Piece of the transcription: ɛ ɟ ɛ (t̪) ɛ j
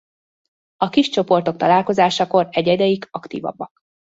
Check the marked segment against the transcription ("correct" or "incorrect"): incorrect